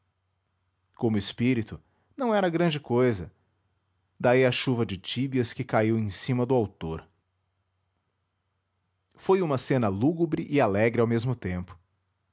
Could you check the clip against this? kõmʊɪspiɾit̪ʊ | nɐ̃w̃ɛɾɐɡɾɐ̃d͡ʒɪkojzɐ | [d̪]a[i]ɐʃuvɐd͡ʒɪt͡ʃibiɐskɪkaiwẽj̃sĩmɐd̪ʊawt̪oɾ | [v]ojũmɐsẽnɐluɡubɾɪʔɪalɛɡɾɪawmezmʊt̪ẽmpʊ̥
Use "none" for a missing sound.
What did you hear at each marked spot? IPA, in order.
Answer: d̪, i, f

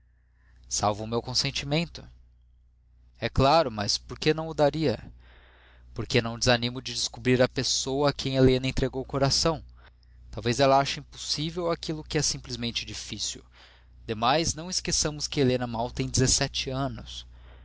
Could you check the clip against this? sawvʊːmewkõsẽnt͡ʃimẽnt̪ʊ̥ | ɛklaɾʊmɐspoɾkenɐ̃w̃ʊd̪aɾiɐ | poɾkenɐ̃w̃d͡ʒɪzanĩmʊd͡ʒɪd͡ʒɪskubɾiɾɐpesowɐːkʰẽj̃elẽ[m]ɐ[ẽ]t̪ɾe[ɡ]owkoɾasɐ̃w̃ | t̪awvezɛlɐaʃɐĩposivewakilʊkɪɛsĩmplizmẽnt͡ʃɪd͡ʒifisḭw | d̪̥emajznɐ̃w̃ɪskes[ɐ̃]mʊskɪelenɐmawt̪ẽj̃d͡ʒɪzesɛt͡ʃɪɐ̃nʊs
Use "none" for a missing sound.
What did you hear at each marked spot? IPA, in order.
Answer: n, ẽ, ɡ, ɐ̃

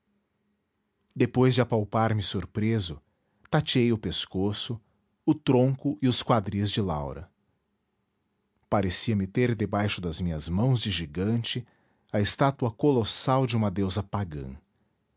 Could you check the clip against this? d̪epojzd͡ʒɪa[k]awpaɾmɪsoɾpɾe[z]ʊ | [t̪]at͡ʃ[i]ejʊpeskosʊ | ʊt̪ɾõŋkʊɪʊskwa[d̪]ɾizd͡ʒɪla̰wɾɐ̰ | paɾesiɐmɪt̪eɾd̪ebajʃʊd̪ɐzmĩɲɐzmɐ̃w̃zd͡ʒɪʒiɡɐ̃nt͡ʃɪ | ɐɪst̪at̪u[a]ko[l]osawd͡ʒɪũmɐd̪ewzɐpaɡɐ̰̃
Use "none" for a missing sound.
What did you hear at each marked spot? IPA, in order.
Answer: p, z, t̪, i, d̪, ɐ, l

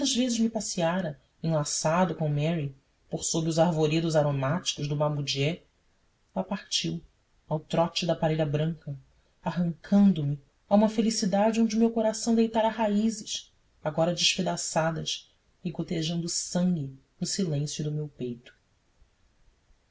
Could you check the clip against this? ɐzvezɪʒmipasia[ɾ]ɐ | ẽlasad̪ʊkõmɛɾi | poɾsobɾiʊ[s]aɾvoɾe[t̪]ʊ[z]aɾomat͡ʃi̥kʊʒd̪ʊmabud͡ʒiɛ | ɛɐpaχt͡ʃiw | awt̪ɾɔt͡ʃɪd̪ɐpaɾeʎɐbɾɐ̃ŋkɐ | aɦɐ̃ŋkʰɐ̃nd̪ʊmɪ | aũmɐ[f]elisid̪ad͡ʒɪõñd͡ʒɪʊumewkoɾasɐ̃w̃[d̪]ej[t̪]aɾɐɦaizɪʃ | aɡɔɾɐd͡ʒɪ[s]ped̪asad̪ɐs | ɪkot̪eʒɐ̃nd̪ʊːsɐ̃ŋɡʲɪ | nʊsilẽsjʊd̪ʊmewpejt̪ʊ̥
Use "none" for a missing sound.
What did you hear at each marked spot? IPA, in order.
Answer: ɾ, z, d̪, z, f, d̪, t̪, ʃ

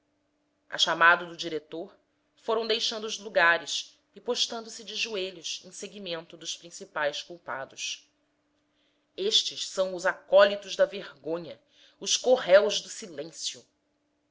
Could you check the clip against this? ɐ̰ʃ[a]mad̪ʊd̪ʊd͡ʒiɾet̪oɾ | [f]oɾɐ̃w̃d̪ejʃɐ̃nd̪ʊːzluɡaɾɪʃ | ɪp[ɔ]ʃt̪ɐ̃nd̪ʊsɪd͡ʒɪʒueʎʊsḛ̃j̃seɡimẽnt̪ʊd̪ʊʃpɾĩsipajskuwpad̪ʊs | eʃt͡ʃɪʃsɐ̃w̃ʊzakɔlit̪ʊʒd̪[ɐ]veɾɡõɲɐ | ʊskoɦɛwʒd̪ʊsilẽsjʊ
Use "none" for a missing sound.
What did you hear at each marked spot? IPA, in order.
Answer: a, f, o, ɐ

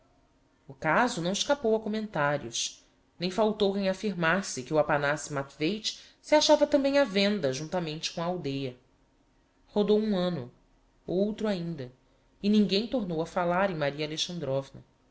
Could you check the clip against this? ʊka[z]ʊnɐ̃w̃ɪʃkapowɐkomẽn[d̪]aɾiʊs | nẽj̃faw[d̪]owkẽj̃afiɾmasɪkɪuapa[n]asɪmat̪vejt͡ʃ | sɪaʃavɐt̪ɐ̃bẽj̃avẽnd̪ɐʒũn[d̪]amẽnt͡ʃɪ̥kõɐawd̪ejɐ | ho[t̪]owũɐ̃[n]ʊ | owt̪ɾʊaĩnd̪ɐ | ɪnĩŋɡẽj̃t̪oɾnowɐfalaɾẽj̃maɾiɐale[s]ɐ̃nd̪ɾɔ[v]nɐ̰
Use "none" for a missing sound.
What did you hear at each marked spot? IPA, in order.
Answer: z, t̪, t̪, n, t̪, d̪, n, ʃ, v

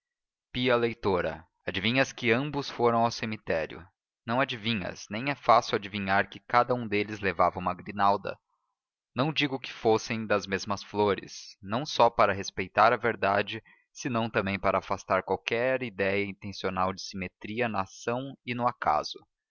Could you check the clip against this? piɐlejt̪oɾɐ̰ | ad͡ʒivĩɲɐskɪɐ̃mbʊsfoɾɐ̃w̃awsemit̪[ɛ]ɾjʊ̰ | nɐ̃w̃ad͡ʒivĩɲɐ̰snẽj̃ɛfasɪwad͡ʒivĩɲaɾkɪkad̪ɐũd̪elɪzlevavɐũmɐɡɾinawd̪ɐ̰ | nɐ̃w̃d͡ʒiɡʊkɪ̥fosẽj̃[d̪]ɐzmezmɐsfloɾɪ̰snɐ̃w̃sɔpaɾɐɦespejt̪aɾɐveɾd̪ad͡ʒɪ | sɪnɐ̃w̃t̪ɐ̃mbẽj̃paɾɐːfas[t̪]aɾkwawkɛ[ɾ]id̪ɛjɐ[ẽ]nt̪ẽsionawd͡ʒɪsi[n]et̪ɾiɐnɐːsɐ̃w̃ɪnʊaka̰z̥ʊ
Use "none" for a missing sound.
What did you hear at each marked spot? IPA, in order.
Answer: ɛ, d̪, t̪, ɾ, ĩ, m

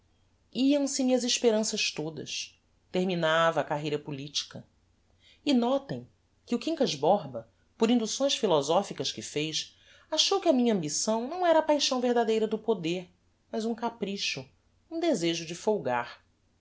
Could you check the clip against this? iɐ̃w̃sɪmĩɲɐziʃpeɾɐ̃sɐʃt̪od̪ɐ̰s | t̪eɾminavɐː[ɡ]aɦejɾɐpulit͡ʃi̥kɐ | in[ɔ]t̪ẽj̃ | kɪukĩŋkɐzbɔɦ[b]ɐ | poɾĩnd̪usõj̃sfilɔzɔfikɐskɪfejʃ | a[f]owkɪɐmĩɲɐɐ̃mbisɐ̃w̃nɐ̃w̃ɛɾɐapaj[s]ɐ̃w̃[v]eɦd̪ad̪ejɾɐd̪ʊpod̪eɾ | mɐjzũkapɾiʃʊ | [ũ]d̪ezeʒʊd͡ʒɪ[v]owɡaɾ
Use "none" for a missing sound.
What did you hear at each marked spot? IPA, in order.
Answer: k, ɔ, b, ʃ, ʃ, v, ũ, f

